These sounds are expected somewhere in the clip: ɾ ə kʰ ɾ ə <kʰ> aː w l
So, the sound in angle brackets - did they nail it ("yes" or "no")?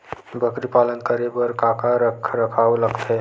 yes